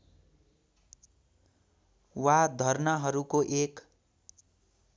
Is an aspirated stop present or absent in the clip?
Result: absent